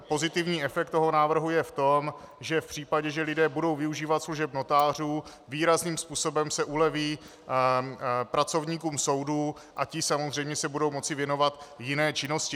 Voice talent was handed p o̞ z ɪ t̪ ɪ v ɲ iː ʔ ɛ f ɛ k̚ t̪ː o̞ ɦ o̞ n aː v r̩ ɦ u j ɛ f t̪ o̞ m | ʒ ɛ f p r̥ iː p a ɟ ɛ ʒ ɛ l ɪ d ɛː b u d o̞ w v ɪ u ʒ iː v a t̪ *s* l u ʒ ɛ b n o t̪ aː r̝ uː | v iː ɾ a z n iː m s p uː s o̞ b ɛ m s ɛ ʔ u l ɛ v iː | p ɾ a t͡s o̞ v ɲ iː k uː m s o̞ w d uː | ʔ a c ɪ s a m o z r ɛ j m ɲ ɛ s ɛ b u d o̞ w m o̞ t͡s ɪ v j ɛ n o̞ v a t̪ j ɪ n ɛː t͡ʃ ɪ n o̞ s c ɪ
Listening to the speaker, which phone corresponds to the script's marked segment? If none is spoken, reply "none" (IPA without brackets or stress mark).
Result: s